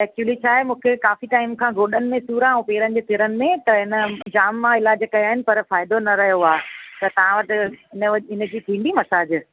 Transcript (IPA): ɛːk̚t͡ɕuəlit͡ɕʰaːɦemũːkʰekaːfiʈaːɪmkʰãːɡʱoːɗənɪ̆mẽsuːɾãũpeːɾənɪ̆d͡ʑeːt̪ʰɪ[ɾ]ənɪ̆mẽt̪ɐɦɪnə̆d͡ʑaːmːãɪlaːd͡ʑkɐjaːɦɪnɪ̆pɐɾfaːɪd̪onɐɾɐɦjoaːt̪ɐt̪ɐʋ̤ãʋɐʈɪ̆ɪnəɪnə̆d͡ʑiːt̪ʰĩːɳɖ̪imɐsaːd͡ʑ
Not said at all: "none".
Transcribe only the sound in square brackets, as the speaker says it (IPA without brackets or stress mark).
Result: ɾ